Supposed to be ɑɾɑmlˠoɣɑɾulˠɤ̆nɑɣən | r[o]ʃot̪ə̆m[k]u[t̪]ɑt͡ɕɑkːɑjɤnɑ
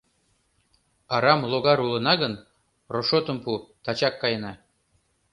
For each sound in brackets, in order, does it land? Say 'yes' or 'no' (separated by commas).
yes, no, yes